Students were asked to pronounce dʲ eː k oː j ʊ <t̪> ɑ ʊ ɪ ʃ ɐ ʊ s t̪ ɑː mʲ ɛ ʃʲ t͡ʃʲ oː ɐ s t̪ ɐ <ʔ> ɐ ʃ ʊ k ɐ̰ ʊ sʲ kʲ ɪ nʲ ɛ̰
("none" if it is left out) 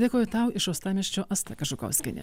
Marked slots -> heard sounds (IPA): t̪, k

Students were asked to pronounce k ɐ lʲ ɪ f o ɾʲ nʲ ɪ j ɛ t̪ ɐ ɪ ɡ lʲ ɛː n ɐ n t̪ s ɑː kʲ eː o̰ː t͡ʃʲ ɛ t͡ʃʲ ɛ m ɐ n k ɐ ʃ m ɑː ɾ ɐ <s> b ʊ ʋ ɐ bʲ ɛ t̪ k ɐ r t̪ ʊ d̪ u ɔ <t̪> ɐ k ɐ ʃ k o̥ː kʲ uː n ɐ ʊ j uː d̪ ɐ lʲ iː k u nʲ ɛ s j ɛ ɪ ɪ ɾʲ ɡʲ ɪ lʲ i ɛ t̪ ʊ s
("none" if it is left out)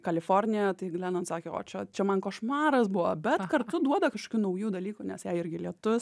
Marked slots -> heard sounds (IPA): s, d̪

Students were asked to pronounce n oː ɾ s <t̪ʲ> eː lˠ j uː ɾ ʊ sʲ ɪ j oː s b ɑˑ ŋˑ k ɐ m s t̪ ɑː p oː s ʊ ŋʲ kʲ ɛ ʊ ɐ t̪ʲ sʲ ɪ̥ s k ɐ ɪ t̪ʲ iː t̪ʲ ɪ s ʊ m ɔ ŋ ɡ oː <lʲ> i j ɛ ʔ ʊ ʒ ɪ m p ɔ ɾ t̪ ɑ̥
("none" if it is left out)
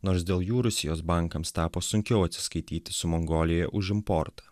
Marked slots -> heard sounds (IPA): d̪ʲ, lʲ

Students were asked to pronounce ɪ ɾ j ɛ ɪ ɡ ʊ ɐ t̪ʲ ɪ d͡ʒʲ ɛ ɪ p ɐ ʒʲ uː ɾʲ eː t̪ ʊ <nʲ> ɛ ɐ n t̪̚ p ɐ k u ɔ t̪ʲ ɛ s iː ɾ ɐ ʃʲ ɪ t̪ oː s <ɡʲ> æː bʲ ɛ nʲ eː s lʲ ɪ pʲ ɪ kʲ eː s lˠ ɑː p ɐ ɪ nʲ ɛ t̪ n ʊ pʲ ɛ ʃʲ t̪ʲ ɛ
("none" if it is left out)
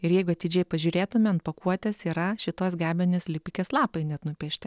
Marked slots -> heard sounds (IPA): mʲ, ɡʲ

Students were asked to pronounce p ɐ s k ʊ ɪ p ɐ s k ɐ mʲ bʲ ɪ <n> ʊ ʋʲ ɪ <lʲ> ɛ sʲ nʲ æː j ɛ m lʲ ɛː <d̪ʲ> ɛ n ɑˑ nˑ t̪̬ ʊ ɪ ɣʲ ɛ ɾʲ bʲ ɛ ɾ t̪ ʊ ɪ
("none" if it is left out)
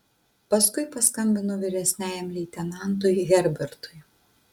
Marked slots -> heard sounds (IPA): n, ɾʲ, t̪ʲ

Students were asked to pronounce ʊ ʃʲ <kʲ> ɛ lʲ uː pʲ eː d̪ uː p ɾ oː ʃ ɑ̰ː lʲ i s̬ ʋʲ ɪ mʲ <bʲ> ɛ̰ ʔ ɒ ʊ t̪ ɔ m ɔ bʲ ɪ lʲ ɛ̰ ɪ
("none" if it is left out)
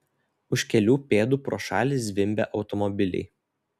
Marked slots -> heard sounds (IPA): kʲ, bʲ

